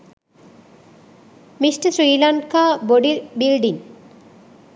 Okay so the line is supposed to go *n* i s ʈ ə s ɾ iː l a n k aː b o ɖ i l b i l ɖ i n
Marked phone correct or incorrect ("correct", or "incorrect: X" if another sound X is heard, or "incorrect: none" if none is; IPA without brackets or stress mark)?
incorrect: m